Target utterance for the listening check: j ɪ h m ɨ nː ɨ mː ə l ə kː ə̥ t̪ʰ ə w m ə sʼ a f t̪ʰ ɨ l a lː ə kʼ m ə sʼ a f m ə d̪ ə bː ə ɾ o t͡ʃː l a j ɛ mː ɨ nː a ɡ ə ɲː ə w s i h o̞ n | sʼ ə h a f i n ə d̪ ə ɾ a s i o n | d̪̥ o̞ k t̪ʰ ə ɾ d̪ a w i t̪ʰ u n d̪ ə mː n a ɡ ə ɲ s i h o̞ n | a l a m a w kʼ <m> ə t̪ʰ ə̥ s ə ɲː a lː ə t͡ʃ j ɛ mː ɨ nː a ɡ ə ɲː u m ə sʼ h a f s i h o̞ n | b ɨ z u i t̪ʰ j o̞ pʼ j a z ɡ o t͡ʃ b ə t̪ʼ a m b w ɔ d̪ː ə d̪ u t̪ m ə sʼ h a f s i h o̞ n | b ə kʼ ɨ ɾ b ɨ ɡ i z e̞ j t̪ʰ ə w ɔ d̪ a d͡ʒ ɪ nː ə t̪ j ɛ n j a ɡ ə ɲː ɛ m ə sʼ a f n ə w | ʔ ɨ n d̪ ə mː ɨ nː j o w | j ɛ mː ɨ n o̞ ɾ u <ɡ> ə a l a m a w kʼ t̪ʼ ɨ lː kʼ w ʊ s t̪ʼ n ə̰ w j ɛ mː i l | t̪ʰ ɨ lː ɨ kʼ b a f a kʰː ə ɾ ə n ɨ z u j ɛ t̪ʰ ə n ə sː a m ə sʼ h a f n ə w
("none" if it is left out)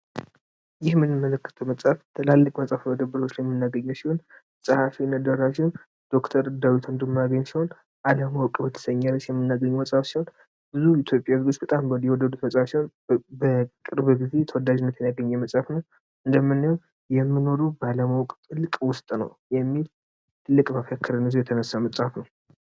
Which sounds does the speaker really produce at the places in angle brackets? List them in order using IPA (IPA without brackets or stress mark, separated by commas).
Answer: b, b